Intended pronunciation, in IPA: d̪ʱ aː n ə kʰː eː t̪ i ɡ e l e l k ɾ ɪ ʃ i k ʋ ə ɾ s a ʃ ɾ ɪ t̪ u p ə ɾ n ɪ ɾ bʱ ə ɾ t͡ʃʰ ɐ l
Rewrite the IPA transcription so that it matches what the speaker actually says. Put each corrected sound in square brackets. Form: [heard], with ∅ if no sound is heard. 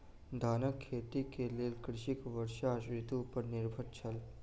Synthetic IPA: d̪ʱ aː n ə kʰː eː t̪ i [k] e l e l k ɾ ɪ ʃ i k ʋ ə ɾ [ʃ] a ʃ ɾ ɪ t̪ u p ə ɾ n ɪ ɾ bʱ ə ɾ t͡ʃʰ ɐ l